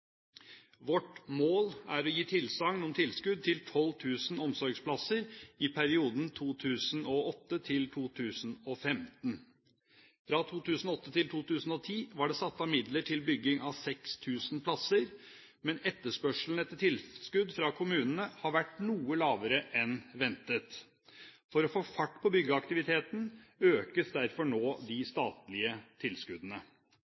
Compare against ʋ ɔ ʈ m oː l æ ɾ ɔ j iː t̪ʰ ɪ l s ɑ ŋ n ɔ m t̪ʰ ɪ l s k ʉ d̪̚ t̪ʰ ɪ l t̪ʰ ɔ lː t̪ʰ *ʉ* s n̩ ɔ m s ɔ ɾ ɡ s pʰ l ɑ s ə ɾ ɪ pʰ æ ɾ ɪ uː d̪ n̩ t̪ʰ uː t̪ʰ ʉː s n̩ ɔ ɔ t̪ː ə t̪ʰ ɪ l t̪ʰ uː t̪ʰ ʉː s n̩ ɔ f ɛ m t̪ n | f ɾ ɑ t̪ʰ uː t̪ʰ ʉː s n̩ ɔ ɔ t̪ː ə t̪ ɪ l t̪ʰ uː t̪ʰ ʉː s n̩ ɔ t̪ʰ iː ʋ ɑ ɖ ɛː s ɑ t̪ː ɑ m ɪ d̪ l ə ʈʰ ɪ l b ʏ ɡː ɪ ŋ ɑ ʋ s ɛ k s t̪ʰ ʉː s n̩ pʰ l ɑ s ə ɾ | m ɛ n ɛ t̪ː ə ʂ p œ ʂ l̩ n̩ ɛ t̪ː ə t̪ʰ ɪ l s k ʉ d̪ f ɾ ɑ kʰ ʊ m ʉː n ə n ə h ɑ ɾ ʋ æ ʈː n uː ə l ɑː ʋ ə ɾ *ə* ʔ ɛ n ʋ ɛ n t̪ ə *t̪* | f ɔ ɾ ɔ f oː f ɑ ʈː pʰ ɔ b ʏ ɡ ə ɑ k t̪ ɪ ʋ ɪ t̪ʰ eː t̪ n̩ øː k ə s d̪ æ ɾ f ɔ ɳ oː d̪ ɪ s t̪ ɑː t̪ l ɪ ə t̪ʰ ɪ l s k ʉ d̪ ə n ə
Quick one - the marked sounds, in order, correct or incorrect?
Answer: incorrect, correct, correct

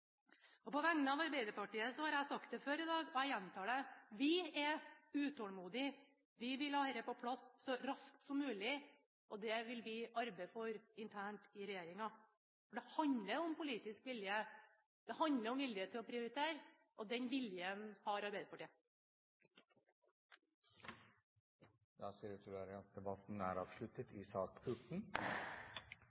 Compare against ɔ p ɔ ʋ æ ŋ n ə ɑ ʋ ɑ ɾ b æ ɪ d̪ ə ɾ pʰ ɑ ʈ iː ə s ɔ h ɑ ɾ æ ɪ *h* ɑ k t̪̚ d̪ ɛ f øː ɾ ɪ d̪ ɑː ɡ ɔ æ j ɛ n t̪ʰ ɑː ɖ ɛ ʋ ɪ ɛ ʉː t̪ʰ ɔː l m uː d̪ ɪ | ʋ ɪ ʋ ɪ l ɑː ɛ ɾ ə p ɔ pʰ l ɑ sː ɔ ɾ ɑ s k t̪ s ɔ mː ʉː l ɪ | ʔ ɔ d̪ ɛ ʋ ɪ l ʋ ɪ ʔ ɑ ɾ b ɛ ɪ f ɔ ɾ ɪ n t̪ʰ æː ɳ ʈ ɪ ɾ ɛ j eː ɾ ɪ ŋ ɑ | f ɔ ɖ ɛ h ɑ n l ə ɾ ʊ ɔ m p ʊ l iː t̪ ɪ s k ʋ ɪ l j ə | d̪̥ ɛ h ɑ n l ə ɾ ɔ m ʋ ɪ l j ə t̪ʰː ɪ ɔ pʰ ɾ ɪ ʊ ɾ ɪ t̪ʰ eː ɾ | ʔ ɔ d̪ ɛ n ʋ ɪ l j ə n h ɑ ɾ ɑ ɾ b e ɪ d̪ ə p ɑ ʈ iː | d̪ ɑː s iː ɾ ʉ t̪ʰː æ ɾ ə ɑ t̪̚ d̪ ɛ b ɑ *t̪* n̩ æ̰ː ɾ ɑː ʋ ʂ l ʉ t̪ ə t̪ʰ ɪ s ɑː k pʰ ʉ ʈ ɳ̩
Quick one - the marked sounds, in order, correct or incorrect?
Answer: incorrect, correct

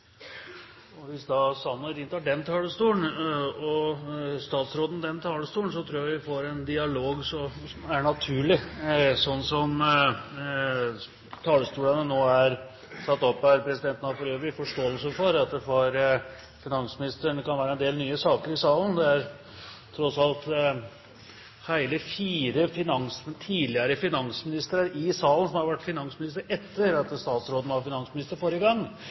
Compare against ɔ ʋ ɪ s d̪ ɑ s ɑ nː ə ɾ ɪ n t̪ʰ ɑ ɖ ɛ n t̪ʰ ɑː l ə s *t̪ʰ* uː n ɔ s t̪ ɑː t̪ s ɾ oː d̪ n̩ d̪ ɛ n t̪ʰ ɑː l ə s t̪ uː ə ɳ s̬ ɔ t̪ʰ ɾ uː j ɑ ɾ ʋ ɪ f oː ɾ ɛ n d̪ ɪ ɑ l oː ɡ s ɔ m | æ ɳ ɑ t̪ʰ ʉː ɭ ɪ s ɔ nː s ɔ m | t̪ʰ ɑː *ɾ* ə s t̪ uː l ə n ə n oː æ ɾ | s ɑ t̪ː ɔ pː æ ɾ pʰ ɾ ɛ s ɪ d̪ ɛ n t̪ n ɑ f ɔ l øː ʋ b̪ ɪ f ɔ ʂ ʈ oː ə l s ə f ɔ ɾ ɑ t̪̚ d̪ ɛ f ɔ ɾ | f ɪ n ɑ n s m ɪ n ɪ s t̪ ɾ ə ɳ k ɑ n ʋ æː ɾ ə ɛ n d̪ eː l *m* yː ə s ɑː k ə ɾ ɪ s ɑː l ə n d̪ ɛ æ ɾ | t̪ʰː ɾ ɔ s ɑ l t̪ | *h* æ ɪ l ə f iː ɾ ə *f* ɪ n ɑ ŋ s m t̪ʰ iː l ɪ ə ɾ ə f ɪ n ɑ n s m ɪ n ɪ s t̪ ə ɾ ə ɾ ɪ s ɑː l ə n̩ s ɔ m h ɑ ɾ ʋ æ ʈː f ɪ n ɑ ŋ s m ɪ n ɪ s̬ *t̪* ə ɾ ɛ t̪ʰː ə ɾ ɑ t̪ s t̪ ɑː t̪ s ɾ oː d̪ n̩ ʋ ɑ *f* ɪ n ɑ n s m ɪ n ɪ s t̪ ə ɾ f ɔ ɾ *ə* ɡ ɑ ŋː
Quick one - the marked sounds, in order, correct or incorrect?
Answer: incorrect, incorrect, incorrect, correct, correct, correct, correct, correct

